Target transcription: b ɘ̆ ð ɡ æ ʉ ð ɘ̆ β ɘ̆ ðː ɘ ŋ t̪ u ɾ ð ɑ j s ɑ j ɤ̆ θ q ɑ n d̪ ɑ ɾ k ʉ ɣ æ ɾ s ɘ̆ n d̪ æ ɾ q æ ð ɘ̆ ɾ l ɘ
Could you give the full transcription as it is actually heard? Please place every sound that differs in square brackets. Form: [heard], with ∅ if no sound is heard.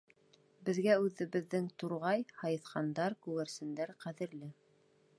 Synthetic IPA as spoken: b ɘ̆ ð ɡ æ ʉ ð ɘ̆ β ɘ̆ ðː ɘ ŋ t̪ u ɾ [ʁ] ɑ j [h] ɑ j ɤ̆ θ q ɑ n d̪ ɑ ɾ k ʉ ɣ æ ɾ s ɘ̆ n d̪ æ ɾ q æ ð ɘ̆ ɾ l ɘ